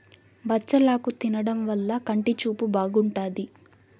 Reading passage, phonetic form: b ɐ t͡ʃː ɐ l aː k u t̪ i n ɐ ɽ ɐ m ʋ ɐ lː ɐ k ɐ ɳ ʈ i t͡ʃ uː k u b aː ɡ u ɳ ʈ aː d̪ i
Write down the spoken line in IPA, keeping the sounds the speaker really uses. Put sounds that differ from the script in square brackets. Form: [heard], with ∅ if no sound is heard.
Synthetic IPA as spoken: b ɐ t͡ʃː ɐ l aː k u t̪ i n ɐ ɽ ɐ m ʋ ɐ lː ɐ k ɐ ɳ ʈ i t͡ʃ uː [p] u b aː ɡ u ɳ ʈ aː d̪ i